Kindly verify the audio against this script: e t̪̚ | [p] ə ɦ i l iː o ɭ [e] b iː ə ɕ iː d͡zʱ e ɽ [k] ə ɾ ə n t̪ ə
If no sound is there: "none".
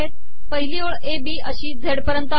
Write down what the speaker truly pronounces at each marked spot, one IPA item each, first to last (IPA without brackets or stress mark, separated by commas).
p, e, p